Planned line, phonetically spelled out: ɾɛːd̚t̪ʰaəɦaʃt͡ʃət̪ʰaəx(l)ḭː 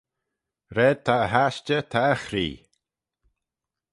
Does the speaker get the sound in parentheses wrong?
yes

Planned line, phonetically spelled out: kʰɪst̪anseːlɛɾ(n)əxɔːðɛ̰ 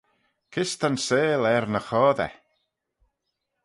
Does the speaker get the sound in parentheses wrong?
no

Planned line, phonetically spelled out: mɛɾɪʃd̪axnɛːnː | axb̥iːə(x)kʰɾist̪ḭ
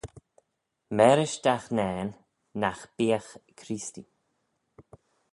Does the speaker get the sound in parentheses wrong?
no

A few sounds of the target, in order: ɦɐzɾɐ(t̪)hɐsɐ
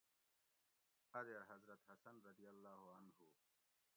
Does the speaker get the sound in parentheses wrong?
no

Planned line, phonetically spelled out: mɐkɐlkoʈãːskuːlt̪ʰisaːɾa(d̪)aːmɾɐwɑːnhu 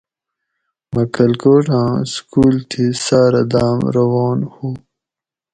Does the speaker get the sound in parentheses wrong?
no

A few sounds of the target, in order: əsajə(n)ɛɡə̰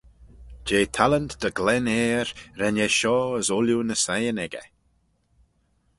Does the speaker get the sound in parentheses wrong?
no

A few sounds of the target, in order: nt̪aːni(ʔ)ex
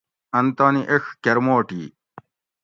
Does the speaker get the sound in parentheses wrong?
no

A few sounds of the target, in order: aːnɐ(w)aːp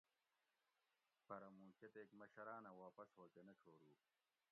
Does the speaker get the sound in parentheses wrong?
no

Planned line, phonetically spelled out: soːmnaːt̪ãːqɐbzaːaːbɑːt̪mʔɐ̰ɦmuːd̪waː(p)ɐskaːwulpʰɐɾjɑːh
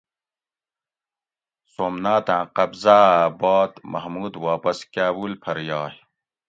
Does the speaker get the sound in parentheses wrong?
no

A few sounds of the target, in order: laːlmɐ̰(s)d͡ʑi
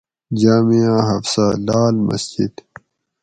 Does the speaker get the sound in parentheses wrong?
no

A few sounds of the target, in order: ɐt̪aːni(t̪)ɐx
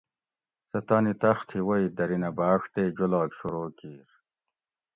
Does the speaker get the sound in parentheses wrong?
no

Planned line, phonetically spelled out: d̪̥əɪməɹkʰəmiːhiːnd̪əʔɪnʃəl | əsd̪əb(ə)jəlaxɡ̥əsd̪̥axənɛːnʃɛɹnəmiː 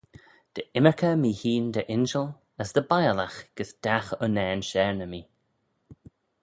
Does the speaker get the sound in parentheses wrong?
yes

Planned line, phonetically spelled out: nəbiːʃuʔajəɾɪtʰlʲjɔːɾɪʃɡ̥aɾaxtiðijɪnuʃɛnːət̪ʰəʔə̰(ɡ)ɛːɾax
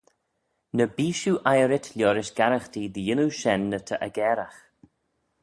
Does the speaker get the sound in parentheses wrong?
no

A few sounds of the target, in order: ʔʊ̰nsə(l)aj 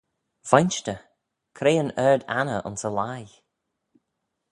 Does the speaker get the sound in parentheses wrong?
no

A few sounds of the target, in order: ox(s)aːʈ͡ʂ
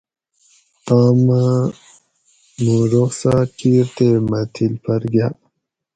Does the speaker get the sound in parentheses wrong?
no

